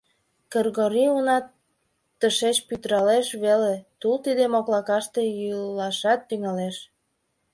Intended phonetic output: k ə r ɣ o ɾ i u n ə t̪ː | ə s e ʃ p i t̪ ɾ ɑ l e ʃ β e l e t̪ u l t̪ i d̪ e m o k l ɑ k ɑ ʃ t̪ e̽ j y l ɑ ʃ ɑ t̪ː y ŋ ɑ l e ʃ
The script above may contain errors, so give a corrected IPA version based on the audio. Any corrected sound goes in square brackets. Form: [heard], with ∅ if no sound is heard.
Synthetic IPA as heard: k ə r ɣ o ɾ i u n [ɑ] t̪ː | ə [ʃ] e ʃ p [y] t̪ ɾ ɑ l e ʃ β e l e t̪ u l t̪ i d̪ e m o k l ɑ k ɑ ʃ t̪ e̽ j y l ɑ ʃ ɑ t̪ː y ŋ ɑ l e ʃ